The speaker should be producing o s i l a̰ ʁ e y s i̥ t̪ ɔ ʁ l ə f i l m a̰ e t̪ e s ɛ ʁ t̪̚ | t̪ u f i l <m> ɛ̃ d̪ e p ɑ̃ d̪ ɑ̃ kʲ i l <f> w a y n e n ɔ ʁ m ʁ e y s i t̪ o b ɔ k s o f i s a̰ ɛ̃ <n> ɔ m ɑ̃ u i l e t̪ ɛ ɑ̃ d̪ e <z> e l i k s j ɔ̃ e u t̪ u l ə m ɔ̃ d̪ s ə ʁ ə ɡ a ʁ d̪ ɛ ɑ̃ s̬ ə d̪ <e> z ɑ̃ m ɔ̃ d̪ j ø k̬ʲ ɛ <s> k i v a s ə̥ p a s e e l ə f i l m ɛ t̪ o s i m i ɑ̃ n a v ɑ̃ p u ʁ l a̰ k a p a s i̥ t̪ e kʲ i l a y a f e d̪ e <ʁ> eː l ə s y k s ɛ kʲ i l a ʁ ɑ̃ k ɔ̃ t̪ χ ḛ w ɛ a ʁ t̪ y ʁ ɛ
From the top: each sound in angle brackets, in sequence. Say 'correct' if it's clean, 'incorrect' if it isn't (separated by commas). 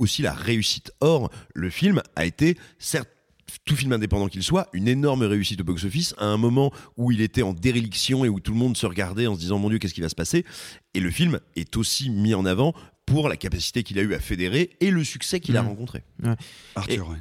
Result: correct, incorrect, incorrect, incorrect, incorrect, correct, correct